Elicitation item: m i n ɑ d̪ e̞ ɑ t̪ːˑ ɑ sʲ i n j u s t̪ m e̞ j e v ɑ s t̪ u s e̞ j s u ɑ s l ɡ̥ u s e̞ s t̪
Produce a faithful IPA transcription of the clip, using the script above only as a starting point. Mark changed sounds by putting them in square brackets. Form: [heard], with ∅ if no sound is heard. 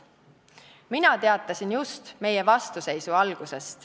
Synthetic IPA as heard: m i n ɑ [t̪] e̞ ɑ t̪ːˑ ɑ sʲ i n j u s t̪ m e̞ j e v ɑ s t̪ u s e̞ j s u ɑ [∅] l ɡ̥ u s e̞ s t̪